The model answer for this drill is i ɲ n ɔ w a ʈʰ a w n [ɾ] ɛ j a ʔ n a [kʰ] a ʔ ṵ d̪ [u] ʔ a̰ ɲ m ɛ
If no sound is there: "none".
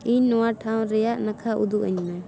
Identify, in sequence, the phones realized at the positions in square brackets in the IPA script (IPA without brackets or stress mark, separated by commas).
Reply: ɾ, kʰ, u